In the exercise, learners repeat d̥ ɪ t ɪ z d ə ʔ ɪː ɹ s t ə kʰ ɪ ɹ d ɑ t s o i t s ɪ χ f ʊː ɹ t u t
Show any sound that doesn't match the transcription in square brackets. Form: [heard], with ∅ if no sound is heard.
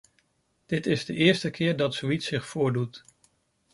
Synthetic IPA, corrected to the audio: d̥ ɪ t ɪ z d ə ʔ ɪː ɹ s t ə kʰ [ɪː] ɹ d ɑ t s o i t s ɪ χ f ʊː ɹ [d] u t